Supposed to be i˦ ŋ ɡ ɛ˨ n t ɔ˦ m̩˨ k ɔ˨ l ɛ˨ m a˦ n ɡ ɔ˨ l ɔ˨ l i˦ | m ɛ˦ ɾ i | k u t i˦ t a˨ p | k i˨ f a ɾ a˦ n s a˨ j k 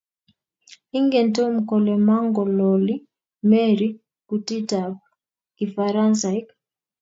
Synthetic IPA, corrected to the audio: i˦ ŋ ɡ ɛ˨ n t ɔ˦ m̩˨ k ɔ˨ l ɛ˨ m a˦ ŋ ɡ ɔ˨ l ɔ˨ l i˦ | m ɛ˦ ɾ i | k u t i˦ t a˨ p | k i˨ f a ɾ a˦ n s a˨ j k